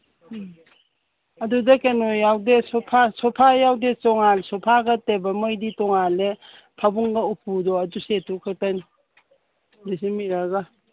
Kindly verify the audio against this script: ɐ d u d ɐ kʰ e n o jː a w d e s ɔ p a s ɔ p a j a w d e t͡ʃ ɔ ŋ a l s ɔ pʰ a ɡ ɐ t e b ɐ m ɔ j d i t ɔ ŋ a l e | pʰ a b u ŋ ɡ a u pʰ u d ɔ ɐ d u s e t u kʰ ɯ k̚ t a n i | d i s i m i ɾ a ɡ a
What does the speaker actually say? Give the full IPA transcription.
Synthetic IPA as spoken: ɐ d u d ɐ k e n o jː a w d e s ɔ pʰ a s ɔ pʰ a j a w d e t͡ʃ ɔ ŋ a l s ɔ pʰ a ɡ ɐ t e b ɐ m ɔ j d i t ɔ ŋ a l e | pʰ a b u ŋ ɡ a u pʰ u d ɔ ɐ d u s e t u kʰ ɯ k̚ t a n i | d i s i m i ɾ a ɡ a